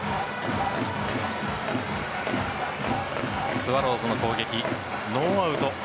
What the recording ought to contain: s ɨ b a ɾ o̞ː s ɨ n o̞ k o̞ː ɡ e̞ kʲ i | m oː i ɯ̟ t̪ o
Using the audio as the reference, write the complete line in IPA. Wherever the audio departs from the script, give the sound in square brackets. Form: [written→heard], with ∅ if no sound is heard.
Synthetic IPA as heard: s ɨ [b→β] a ɾ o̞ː [s→z] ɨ n o̞ k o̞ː ɡ e̞ kʲ i | [m→n] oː [i→a] ɯ̟ t̪ o